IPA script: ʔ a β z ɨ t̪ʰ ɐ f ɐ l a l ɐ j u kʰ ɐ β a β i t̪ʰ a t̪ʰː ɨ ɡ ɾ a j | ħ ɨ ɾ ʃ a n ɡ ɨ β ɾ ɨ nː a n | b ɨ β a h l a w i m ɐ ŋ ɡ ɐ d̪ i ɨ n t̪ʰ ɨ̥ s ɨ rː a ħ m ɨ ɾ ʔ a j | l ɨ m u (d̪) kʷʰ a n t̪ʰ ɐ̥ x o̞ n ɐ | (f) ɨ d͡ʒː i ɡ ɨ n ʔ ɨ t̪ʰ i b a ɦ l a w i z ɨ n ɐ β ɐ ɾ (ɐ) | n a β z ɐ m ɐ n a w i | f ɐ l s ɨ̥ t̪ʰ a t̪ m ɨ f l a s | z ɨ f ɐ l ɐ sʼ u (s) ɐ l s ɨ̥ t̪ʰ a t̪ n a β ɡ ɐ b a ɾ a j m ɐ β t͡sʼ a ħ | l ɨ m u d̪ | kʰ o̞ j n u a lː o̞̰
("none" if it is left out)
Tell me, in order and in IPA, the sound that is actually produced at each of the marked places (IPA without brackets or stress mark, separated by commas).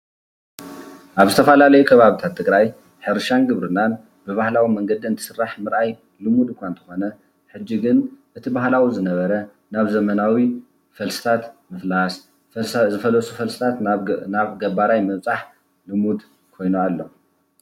d̪, ħ, ɐ, f